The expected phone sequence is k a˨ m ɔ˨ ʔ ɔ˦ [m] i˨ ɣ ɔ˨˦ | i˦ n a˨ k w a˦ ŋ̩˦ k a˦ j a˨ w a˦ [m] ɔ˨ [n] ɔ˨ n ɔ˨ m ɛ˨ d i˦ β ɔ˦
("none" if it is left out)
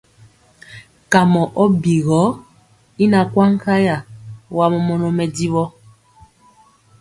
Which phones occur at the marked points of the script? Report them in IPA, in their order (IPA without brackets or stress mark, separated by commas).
b, m, m